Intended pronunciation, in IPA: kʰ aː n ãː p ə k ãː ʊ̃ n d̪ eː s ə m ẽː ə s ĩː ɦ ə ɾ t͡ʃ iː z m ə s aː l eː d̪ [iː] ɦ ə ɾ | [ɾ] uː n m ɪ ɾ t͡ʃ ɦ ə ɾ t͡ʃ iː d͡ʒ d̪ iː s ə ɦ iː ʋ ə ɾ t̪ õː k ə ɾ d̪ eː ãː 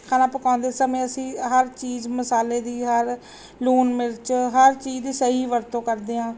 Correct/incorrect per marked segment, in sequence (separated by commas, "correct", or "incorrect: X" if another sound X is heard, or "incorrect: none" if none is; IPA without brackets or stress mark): correct, incorrect: l